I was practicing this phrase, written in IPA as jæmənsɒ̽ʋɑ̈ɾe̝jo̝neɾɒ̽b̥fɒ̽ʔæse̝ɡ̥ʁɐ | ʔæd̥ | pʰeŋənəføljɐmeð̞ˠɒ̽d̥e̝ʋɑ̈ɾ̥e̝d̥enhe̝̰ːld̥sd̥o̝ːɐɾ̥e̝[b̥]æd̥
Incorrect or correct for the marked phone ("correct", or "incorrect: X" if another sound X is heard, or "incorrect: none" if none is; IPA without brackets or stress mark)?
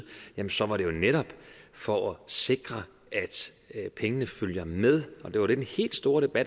correct